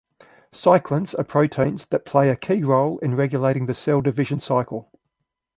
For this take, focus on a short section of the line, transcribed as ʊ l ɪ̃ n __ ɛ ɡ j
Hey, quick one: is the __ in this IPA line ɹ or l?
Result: ɹ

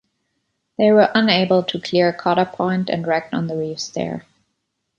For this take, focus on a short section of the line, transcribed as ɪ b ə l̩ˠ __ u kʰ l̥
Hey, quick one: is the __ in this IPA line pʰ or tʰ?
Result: tʰ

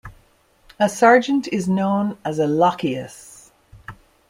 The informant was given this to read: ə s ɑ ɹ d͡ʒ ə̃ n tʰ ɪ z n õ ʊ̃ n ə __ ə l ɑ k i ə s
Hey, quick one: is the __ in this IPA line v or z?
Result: z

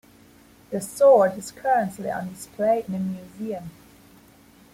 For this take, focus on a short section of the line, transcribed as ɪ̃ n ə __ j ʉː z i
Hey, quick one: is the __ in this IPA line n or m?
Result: m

